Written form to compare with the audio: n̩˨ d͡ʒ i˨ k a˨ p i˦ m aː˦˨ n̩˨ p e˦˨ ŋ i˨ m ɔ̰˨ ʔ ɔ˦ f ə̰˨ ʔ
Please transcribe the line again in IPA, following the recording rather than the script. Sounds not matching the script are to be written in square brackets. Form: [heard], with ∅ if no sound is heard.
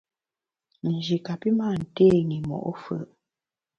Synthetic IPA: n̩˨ d͡ʒ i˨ k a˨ p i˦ m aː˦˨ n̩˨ [t] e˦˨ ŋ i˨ m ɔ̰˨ ʔ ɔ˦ f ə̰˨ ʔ